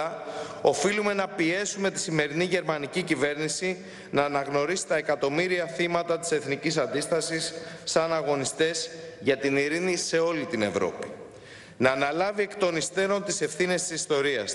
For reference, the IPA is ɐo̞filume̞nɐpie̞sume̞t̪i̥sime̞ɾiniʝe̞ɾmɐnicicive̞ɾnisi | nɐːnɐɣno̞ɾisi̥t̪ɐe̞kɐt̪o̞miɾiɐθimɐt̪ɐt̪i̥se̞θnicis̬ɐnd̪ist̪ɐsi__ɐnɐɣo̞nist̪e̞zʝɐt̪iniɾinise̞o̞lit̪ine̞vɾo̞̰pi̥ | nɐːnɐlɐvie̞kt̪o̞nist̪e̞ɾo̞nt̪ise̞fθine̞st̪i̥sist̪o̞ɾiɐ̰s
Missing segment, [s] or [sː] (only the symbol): sː